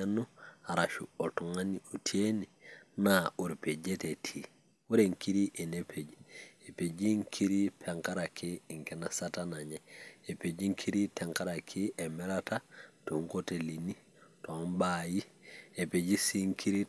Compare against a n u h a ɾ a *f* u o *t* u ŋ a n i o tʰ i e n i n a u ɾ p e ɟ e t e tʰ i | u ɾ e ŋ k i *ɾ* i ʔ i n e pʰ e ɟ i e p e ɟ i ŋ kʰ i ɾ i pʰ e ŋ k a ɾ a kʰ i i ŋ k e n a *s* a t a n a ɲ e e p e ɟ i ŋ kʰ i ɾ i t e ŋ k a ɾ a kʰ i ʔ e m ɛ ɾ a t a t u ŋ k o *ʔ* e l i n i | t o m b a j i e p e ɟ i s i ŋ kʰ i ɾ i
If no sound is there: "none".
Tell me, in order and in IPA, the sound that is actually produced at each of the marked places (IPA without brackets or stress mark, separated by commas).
ʃ, t, ɾ, s, t